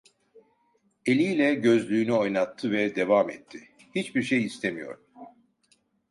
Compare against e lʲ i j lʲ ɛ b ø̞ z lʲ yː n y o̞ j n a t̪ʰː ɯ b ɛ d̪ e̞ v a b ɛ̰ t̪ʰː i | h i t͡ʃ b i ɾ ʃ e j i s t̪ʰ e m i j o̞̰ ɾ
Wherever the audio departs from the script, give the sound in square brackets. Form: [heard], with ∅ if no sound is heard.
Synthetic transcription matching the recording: e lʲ i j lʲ ɛ [ɟ] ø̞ z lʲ yː n y o̞ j n a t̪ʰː ɯ [v] ɛ d̪ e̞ v a [m] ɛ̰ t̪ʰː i | h i t͡ʃ b i ɾ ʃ e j i s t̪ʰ e m i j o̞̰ ɾ